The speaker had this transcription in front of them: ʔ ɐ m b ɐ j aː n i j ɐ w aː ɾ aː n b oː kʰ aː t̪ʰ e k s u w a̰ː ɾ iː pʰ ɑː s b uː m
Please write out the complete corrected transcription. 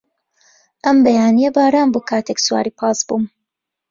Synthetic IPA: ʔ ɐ m b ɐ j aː n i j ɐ b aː ɾ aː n b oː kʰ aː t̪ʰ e k s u w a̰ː ɾ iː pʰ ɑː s b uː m